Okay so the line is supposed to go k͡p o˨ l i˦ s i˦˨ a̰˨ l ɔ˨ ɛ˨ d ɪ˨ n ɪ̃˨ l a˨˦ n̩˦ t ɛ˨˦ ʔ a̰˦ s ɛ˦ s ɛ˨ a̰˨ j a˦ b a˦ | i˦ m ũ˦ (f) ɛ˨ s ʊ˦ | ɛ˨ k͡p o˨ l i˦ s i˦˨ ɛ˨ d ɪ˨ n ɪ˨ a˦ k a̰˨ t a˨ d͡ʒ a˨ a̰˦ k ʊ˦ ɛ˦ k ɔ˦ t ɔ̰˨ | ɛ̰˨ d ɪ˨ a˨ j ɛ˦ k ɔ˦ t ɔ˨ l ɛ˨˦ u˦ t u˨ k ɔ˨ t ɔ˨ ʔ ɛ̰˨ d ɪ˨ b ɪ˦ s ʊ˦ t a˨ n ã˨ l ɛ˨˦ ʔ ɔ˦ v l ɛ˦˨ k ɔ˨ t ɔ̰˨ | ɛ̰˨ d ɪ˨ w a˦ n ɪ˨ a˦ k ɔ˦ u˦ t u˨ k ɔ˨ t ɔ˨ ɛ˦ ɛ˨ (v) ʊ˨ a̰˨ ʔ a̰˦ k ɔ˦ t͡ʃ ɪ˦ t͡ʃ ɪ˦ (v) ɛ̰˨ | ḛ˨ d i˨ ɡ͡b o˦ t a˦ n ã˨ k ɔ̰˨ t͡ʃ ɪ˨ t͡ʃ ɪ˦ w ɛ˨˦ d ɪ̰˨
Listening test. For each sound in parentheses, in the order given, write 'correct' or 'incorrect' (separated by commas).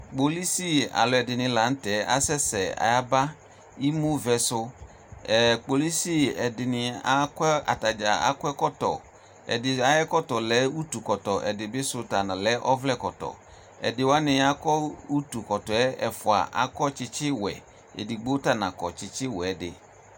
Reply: incorrect, incorrect, incorrect